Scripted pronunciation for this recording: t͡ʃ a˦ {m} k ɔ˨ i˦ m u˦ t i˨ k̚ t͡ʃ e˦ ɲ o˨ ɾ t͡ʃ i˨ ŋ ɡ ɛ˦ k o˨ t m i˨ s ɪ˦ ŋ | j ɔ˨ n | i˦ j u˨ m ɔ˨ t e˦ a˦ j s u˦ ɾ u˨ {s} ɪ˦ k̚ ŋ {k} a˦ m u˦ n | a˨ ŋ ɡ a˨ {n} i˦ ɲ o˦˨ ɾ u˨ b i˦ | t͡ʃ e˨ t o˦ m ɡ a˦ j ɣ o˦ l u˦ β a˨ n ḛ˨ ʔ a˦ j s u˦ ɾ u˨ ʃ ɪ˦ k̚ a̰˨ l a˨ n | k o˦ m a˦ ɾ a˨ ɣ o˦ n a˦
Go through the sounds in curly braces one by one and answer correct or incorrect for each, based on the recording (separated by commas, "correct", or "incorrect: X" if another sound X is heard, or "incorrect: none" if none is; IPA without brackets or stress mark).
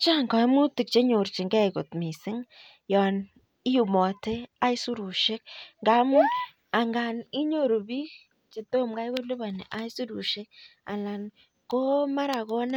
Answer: incorrect: ŋ, incorrect: ʃ, incorrect: ɡ, correct